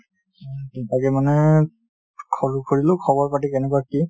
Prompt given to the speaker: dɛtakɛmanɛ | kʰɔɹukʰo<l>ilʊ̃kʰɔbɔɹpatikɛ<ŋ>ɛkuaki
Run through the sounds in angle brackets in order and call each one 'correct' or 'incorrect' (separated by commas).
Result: incorrect, incorrect